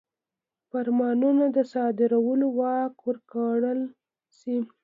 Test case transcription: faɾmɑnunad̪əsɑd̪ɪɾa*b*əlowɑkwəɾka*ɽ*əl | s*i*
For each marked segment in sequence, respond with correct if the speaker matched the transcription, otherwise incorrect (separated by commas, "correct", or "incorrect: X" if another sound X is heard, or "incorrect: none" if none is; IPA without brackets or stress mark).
incorrect: w, correct, correct